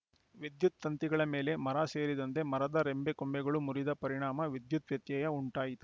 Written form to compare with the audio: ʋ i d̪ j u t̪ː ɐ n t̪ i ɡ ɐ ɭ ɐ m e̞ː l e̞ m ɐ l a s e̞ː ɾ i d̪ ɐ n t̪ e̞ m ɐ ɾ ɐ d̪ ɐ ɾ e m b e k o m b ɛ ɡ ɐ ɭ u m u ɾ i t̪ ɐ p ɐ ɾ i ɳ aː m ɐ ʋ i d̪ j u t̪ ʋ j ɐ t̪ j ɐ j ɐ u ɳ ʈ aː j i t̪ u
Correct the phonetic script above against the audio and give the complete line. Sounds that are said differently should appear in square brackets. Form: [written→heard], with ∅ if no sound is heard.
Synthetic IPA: ʋ i d̪ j u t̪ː ɐ n t̪ i ɡ ɐ ɭ ɐ m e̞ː l e̞ m ɐ [l→ɾ] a s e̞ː ɾ i d̪ ɐ n t̪ e̞ m ɐ ɾ ɐ d̪ ɐ ɾ e m b e k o m b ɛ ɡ ɐ ɭ u m u ɾ i [t̪→d̪] ɐ p ɐ ɾ i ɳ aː m ɐ ʋ i d̪ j u t̪ ʋ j ɐ t̪ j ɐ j ɐ u ɳ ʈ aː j i t̪ u